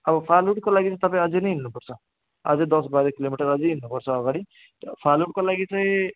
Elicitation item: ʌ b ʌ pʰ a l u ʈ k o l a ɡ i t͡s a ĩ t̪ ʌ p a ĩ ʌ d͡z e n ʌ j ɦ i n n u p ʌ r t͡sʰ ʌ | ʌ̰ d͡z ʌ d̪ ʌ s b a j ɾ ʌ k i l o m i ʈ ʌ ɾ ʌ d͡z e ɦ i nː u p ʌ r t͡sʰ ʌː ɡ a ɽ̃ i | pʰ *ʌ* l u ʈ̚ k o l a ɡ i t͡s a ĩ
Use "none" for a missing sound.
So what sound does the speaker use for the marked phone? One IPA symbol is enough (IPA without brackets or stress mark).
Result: a